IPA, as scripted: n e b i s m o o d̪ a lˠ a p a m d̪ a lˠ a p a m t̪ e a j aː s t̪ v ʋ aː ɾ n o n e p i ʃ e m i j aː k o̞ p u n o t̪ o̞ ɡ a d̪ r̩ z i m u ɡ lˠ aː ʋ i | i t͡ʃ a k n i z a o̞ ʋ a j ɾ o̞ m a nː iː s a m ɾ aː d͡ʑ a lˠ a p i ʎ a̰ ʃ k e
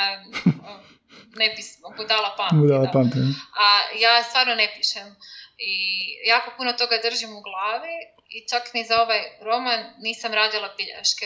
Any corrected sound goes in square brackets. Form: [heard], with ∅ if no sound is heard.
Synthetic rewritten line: n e b i s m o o d̪ a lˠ a p a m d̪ a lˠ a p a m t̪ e a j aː s t̪ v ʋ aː ɾ n o n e p i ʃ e m i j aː k o̞ p u n o t̪ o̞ ɡ a d̪ r̩ [ʒ] i m u ɡ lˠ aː ʋ i | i t͡ʃ a k n i z a o̞ ʋ a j ɾ o̞ m a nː iː s a m ɾ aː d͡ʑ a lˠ a p i ʎ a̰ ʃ k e